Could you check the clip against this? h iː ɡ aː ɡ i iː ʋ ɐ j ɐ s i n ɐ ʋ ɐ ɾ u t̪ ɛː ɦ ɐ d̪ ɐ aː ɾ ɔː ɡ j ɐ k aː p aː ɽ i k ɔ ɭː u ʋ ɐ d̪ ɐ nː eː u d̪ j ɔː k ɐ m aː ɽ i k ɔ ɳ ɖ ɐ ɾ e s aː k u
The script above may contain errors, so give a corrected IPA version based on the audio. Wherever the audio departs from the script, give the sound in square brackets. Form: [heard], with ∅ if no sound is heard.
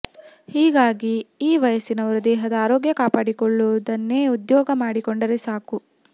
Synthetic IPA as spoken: h iː ɡ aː ɡ i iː ʋ ɐ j ɐ s i n ɐ ʋ ɐ ɾ u [d̪] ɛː ɦ ɐ d̪ ɐ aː ɾ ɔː ɡ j ɐ k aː p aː ɽ i k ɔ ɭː u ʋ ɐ d̪ ɐ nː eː u d̪ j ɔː [ɡ] ɐ m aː ɽ i k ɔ ɳ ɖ ɐ ɾ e s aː k u